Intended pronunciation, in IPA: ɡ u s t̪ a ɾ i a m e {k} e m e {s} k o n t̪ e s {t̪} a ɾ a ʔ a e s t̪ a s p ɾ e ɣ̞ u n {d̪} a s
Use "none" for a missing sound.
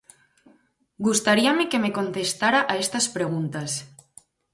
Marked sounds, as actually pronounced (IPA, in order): k, none, t̪, t̪

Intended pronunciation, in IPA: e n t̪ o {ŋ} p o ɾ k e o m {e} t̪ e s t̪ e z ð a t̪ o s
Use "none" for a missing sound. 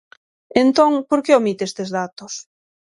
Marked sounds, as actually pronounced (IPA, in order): ŋ, i

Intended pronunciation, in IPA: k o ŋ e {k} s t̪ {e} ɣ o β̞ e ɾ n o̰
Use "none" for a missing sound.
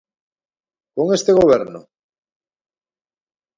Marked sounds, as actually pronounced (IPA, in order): none, e

